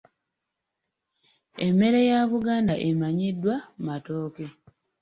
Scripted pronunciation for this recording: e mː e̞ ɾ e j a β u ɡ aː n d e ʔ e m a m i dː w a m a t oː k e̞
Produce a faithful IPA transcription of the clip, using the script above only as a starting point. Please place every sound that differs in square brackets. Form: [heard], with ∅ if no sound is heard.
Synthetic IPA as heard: e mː e̞ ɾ e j a β u ɡ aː n d [a] ʔ e m a [ɲ] i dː w a m a t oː k e̞